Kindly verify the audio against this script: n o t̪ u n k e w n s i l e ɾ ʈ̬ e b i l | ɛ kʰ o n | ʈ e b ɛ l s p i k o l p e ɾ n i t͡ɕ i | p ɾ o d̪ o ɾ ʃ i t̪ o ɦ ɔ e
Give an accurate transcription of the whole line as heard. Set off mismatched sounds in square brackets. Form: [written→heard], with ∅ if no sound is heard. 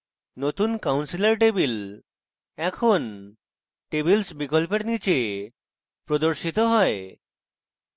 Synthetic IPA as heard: n o t̪ u n k [e→a] w n s i l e ɾ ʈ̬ e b i l | ɛ kʰ o n | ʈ e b [ɛ→i] l s [p→b] i k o l p e ɾ n i t͡ɕ [i→e] | p ɾ o d̪ o ɾ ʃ i t̪ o ɦ ɔ e